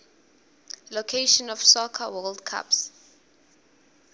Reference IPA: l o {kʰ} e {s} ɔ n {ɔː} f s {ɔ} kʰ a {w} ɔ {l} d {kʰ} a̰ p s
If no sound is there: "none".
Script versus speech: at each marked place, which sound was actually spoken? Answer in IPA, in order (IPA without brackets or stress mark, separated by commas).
kʰ, ʃ, ɔ, ɔ, w, l, kʰ